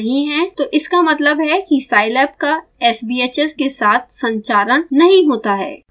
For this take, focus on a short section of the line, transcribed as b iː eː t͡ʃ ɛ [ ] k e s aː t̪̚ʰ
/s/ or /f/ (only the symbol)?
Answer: s